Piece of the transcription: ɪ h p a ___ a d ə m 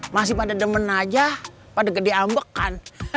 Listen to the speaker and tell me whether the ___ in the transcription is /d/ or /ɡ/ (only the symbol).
d